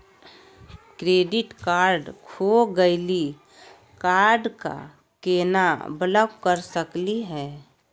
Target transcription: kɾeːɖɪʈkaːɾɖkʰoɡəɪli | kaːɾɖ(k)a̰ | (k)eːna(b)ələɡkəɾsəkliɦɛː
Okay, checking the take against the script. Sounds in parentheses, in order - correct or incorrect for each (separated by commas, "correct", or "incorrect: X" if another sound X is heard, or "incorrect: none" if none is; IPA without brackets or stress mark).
correct, correct, correct